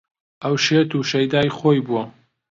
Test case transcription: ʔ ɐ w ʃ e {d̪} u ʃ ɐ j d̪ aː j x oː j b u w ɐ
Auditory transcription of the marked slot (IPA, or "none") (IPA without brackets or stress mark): t̪